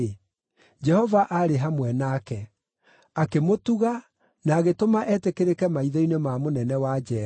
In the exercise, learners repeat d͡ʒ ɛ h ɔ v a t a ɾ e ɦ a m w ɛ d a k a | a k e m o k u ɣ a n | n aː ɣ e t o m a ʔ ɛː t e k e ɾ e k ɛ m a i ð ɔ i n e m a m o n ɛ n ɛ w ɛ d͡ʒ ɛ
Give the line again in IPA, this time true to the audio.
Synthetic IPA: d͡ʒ ɛ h ɔ v a ʔ a ɾ e ɦ a m w ɛ n a k ɛ | a k e m o t u ɣ a | n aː ɣ e t o m a ʔ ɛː t e k e ɾ e k ɛ m a i ð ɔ i n e m a m o n ɛ n ɛ w a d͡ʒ ɛ